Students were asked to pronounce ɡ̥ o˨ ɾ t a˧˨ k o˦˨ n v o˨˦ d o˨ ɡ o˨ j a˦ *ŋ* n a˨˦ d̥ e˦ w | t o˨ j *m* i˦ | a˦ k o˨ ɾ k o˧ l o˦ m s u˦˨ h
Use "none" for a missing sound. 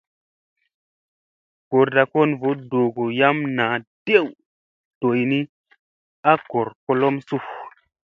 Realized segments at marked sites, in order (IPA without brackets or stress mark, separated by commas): m, n